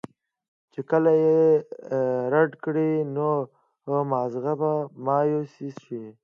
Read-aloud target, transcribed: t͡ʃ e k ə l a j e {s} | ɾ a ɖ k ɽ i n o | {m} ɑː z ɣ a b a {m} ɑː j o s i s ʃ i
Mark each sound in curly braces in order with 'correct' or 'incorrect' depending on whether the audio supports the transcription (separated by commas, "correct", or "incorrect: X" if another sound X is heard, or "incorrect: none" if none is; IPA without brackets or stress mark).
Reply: incorrect: none, correct, correct